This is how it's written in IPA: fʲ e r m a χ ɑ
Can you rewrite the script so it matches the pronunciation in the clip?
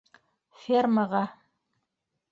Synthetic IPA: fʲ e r m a ʁ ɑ